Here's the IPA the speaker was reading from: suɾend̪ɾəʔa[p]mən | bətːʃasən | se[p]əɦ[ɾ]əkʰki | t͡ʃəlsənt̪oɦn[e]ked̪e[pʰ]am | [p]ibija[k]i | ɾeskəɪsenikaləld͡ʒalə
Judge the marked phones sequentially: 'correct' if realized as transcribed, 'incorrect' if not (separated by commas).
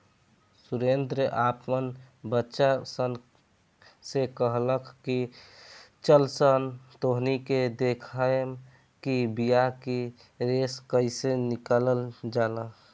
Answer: correct, incorrect, incorrect, incorrect, incorrect, incorrect, correct